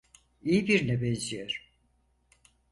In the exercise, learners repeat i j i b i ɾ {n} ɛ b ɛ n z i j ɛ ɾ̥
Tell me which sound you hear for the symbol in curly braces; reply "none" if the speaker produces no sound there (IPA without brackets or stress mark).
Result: n